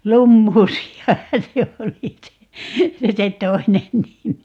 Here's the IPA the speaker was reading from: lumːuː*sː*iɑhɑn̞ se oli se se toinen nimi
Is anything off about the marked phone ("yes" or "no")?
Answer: yes